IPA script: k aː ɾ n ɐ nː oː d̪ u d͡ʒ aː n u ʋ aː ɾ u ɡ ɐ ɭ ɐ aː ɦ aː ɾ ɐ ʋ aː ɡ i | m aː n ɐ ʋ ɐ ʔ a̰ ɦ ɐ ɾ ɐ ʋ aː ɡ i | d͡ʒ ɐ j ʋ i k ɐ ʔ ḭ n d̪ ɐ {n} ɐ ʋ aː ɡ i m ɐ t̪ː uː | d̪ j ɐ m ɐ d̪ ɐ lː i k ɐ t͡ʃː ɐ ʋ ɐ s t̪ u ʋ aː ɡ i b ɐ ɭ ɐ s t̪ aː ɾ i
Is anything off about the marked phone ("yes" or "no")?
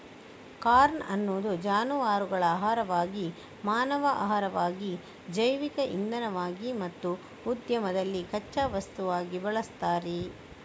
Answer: no